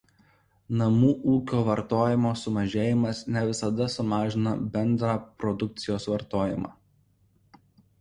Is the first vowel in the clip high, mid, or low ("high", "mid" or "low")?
low